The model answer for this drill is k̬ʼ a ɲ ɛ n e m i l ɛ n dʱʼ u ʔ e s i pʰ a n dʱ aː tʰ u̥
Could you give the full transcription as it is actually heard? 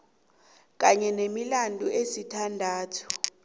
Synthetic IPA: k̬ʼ a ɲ ɛ n e m i l a n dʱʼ u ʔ e s i tʰ a n dʱ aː tʰ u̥